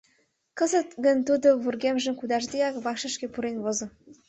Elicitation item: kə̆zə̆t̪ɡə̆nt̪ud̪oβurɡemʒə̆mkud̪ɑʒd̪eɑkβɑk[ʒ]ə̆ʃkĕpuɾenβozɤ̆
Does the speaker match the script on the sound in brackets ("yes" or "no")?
no